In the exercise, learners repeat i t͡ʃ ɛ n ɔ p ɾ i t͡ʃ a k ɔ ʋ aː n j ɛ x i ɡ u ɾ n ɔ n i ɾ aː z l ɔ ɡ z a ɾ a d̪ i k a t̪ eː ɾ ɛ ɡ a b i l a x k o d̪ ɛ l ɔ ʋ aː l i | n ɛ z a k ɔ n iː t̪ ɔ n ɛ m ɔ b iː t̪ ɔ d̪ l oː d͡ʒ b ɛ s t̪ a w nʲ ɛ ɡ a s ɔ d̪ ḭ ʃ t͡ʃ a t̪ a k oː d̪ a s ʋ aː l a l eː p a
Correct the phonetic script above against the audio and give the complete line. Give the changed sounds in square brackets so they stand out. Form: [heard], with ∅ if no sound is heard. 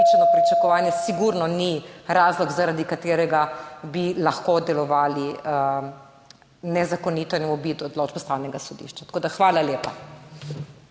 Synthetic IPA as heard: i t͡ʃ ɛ n ɔ p ɾ i t͡ʃ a k ɔ ʋ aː n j ɛ [s] i ɡ u ɾ n ɔ n i ɾ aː z l ɔ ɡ z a ɾ a d̪ i k a t̪ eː ɾ ɛ ɡ a b i l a x k o d̪ ɛ l ɔ ʋ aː l i | n ɛ z a k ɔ n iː t̪ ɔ n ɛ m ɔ b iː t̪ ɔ d̪ l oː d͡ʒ b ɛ s t̪ a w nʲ ɛ ɡ a s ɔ d̪ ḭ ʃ t͡ʃ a t̪ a k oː d̪ a [x] ʋ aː l a l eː p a